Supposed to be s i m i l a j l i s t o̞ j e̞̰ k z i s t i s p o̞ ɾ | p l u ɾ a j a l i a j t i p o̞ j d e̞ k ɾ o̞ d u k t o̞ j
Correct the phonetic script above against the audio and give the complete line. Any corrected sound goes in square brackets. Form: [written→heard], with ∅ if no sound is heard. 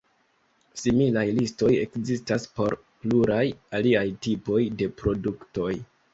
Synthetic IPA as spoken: s i m i l a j l i s t o̞ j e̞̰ k z i s t [i→a] s p o̞ ɾ | p l u ɾ a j a l i a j t i p o̞ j d e̞ [k→p] ɾ o̞ d u k t o̞ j